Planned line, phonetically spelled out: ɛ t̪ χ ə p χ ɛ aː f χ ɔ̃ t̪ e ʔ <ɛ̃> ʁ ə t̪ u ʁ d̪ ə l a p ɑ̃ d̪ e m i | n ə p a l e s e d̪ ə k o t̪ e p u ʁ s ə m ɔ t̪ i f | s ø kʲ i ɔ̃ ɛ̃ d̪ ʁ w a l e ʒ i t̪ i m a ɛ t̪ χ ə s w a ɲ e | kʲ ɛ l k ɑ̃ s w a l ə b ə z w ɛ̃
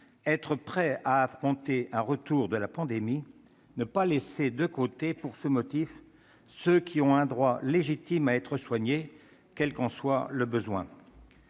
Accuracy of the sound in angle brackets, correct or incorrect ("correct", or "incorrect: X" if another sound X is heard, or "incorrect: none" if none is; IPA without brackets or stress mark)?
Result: correct